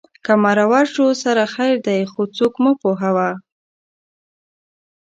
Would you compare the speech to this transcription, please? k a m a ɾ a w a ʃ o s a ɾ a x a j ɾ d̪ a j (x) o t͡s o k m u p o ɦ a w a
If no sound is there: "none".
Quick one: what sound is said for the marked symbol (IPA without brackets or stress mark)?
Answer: x